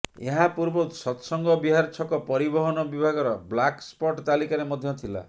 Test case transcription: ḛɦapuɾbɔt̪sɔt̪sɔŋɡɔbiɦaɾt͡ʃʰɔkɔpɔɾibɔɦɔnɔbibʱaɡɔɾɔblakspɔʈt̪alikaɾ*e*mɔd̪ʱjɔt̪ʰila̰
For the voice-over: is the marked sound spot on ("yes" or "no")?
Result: yes